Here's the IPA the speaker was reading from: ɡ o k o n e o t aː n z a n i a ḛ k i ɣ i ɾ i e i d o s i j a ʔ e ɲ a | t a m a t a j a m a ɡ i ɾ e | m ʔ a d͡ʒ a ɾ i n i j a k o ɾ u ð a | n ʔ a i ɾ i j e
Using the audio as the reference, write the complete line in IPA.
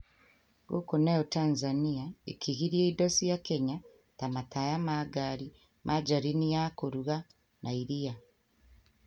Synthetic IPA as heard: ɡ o k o n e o t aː n z a n i a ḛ k i ɣ i ɾ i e i d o s i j a k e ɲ a | t a m a t a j a m a ɡ a ɾ i | m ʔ a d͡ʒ a ɾ i n i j a k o ɾ u ɣ a | n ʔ a i ɾ i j a